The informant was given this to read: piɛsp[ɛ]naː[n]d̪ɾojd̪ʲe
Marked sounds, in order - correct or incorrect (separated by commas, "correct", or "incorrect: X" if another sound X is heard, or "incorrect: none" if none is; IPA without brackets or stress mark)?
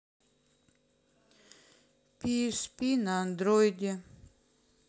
incorrect: i, correct